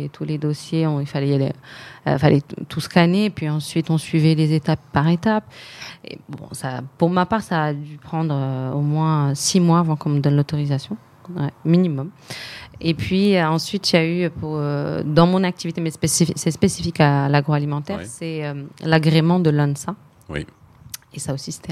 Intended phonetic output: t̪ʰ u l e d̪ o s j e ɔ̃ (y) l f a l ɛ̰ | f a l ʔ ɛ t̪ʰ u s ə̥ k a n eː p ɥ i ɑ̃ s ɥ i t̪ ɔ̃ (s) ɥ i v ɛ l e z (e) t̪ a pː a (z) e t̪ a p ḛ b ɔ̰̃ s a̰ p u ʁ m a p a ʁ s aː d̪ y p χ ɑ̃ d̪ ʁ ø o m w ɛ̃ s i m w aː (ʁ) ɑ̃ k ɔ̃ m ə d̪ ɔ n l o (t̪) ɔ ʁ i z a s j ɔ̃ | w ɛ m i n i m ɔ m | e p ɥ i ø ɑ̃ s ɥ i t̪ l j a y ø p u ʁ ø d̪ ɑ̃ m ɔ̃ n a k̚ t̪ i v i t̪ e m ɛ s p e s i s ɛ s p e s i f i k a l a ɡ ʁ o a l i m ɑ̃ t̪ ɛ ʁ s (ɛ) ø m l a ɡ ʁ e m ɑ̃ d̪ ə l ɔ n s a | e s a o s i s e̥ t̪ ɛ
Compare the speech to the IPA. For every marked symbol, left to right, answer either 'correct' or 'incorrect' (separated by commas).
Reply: incorrect, correct, correct, incorrect, incorrect, correct, correct